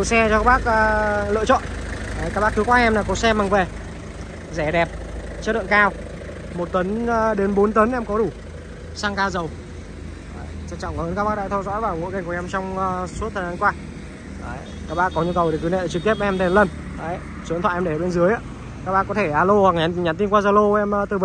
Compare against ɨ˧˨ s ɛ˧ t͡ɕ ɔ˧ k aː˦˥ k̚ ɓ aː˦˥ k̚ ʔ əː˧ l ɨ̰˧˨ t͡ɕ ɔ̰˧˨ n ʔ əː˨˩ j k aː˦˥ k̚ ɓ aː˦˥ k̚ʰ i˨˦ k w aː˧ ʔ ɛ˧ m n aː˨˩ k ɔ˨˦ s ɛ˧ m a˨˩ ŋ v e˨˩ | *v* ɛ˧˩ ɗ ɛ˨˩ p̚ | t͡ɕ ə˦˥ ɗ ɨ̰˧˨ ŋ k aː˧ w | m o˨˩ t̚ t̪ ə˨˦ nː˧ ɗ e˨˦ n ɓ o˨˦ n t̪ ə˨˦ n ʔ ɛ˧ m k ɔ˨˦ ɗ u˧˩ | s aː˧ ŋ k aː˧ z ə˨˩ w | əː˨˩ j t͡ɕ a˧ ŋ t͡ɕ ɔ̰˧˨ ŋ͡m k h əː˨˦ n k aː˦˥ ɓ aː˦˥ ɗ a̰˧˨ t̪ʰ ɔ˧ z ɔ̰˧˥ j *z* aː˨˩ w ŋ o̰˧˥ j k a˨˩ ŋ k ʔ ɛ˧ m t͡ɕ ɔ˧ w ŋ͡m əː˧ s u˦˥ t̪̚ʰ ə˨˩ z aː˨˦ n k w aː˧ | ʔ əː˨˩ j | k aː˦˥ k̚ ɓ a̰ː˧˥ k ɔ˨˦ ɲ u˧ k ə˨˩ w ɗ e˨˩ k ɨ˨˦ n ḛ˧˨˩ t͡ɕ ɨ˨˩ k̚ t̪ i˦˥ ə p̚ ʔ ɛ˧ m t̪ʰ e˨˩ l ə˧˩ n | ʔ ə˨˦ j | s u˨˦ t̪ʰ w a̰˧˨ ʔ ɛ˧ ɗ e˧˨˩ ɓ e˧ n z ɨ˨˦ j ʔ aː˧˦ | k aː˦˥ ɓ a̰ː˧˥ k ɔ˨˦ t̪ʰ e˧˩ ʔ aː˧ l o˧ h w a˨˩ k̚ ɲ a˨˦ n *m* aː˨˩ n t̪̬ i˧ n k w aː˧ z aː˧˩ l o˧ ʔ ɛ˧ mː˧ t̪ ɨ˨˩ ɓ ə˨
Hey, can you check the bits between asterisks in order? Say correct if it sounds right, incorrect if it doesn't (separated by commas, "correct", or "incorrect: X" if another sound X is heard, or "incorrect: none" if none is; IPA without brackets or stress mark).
incorrect: z, incorrect: v, incorrect: ɲ